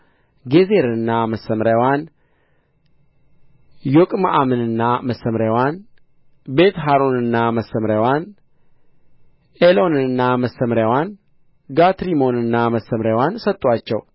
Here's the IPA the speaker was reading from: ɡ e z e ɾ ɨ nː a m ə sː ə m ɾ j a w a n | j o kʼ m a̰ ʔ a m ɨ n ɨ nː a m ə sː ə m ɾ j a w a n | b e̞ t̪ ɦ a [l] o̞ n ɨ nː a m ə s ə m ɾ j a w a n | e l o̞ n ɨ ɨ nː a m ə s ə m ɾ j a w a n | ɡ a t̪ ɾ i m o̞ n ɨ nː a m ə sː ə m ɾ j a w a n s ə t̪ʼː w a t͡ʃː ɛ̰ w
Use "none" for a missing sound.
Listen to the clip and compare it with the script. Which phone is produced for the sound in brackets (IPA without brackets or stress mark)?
ɾ